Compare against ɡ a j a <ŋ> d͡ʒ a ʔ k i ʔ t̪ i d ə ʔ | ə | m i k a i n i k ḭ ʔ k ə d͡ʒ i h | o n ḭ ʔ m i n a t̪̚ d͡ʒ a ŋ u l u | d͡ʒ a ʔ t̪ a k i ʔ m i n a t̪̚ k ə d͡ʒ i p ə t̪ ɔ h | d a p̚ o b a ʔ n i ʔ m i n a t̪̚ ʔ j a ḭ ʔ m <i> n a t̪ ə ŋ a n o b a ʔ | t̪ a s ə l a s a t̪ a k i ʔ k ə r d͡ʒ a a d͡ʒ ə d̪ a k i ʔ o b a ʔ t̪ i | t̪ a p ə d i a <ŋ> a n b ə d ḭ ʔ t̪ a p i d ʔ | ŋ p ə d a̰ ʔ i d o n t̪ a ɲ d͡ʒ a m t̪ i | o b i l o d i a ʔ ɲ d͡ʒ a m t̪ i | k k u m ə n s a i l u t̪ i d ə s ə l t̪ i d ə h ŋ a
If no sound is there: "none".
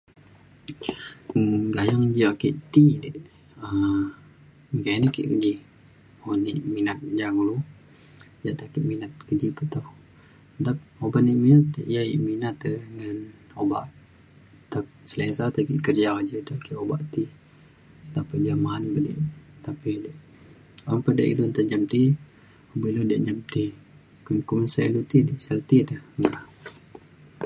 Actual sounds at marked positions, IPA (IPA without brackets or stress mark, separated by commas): ŋ, i, m